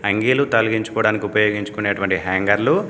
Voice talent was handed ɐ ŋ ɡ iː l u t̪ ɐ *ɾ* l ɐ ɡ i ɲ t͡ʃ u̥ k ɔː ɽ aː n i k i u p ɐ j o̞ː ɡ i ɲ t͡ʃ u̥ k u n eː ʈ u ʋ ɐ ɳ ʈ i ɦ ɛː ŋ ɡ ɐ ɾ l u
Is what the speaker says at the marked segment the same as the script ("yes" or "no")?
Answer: no